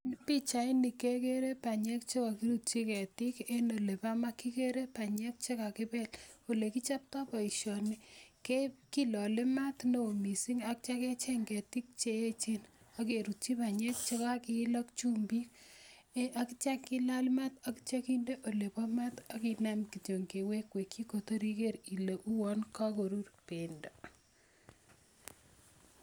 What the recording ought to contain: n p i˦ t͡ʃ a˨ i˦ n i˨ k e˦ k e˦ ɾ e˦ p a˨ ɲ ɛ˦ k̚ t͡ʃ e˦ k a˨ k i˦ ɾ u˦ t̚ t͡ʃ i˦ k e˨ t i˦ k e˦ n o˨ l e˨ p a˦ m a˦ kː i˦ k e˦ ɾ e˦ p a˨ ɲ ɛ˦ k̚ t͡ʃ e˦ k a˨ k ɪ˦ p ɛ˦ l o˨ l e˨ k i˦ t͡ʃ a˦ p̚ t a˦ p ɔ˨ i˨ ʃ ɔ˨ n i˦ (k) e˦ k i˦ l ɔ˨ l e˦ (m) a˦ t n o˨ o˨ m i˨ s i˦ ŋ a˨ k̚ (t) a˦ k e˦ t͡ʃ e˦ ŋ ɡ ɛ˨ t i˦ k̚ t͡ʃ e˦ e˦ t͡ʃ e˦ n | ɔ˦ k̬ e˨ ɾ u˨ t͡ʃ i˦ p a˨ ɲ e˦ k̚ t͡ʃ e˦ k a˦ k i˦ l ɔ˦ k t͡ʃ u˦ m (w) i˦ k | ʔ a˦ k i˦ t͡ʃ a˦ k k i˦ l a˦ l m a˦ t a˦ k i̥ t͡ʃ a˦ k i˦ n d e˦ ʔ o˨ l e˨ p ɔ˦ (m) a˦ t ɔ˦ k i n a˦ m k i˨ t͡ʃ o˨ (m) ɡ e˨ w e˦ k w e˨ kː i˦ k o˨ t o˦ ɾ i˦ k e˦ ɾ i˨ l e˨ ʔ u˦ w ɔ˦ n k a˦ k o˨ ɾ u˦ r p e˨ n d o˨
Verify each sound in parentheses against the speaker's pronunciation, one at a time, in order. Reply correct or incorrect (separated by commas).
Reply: correct, correct, incorrect, incorrect, correct, incorrect